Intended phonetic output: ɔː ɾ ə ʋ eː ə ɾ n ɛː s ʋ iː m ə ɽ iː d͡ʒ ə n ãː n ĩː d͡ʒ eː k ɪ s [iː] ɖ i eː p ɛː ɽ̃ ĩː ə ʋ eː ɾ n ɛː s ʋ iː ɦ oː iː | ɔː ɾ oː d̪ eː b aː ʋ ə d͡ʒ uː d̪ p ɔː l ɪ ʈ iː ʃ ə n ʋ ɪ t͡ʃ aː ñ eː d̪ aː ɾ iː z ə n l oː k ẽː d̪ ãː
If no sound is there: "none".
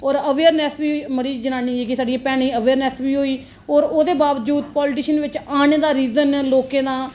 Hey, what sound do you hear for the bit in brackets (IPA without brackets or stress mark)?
aː